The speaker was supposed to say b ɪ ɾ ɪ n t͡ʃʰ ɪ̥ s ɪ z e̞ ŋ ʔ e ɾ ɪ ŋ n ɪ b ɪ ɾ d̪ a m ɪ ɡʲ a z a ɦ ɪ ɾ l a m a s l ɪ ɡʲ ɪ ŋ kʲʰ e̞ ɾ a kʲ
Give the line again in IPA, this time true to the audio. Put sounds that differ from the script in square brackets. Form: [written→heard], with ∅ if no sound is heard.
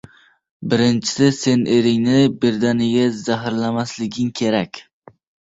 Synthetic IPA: b ɪ ɾ ɪ n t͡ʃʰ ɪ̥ s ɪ [z→s] e̞ [ŋ→n] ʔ e ɾ ɪ ŋ n ɪ b ɪ ɾ d̪ a [m→n] ɪ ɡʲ a z a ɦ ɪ ɾ l a m a s l ɪ ɡʲ ɪ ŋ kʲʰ e̞ ɾ a kʲ